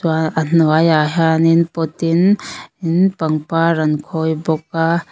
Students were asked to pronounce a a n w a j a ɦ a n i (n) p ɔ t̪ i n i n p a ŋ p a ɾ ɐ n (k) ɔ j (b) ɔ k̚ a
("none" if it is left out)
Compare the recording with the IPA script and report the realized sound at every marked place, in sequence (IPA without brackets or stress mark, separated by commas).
n, kʰ, b